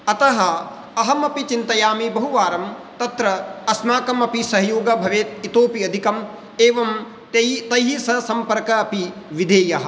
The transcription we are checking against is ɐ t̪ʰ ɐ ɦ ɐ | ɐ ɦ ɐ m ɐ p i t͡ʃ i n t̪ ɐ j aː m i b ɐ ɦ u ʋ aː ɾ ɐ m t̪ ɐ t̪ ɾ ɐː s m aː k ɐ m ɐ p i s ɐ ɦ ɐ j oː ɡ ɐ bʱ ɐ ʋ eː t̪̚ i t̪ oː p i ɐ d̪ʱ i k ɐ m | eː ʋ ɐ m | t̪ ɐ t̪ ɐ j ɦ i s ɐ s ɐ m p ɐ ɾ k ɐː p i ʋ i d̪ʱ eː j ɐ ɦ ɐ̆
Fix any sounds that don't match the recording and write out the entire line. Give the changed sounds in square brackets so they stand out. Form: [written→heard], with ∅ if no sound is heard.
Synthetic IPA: ɐ [t̪ʰ→t̪] ɐ ɦ ɐ | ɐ ɦ ɐ m ɐ p i t͡ʃ i n t̪ ɐ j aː m i b ɐ ɦ u ʋ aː ɾ ɐ m t̪ ɐ t̪ ɾ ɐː s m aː k ɐ m ɐ p i s ɐ ɦ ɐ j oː ɡ ɐ bʱ ɐ ʋ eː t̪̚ i t̪ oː p i ɐ d̪ʱ i k ɐ m | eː ʋ ɐ m | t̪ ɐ t̪ ɐ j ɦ i s ɐ s ɐ m p ɐ ɾ k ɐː p i ʋ i d̪ʱ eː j ɐ ɦ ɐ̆